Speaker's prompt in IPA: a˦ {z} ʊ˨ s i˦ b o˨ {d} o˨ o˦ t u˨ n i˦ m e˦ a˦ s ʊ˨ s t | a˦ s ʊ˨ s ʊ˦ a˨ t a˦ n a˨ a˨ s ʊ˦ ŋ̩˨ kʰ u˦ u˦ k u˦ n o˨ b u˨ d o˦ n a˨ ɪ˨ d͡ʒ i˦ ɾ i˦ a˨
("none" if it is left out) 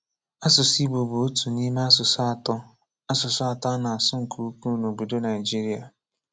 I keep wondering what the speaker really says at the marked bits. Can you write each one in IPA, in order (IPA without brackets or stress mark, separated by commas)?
s, b